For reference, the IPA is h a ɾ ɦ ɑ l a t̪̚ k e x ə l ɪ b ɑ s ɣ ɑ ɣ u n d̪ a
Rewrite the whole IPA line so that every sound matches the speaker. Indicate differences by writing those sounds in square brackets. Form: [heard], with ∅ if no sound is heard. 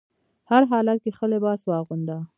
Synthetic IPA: h a ɾ ɦ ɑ l a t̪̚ k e x ə l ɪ b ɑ s [w] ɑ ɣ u n d̪ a